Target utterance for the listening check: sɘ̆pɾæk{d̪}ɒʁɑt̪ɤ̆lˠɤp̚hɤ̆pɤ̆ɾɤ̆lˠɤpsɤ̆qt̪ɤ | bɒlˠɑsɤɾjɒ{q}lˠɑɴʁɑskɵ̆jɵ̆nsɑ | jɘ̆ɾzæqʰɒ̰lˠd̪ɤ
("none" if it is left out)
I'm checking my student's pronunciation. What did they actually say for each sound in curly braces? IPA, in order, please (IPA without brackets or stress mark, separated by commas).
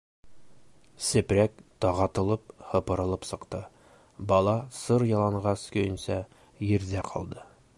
t̪, none